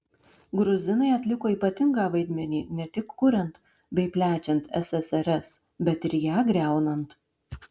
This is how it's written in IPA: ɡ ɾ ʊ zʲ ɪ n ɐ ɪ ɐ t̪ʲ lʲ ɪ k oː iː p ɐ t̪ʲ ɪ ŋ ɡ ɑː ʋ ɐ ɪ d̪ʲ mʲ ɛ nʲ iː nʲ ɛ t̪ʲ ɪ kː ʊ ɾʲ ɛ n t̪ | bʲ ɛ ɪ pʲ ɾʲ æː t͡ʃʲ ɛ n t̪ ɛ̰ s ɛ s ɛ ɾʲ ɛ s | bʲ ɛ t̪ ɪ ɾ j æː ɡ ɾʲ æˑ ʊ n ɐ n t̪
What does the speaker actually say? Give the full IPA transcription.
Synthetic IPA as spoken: ɡ ɾ ʊ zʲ ɪ n ɐ ɪ ɐ t̪ʲ lʲ ɪ k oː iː p ɐ t̪ʲ ɪ ŋ ɡ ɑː ʋ ɐ ɪ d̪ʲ mʲ ɛ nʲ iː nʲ ɛ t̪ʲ ɪ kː ʊ ɾʲ ɛ n t̪ | bʲ ɛ ɪ pʲ lʲ æː t͡ʃʲ ɛ n t̪ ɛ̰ s ɛ s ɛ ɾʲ ɛ s | bʲ ɛ t̪ ɪ ɾ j æː ɡ ɾʲ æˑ ʊ n ɐ n t̪